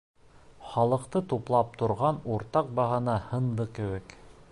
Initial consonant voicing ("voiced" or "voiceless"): voiceless